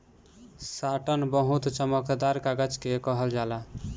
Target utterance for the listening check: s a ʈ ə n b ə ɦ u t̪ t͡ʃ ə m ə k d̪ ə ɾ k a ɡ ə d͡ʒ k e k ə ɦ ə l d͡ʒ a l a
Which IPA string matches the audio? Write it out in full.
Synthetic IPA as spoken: s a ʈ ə n b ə ɦ u t̪ t͡ʃ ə m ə k d̪ a ɾ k a ɡ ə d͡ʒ k e k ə ɦ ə l d͡ʒ a l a